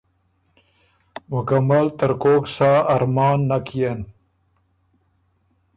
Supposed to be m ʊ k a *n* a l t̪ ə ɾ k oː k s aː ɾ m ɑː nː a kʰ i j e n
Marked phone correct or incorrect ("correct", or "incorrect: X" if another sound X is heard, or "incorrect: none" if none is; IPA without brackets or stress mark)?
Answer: incorrect: m